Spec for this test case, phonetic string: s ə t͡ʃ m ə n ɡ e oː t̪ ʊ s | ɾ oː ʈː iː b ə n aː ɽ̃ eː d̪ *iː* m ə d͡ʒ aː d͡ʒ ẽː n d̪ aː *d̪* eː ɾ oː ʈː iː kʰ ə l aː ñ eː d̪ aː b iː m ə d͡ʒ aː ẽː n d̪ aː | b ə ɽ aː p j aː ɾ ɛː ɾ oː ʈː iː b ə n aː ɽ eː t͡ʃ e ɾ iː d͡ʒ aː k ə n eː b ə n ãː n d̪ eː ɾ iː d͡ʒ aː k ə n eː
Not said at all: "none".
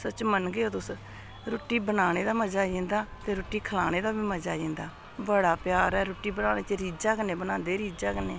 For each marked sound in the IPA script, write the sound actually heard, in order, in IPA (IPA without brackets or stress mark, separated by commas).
aː, t̪